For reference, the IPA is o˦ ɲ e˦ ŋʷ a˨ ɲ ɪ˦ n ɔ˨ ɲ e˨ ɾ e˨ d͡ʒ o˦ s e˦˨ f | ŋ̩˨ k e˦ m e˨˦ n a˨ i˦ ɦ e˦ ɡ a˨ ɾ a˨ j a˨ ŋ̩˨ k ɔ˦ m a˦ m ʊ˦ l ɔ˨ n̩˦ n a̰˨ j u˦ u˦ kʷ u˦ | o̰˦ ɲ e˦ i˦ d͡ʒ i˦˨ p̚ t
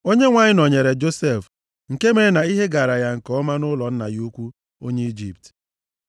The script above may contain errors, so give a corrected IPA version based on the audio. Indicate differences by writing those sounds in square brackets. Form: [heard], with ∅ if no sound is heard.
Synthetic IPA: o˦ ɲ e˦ ŋʷ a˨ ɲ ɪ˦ n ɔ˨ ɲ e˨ ɾ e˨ d͡ʒ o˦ s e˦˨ f | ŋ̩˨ k e˦ m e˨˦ n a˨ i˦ ɦ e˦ ɡ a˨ ɾ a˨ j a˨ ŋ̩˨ k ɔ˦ m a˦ [n] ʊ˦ l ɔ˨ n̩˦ n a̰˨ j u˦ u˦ kʷ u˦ | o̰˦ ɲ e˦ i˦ d͡ʒ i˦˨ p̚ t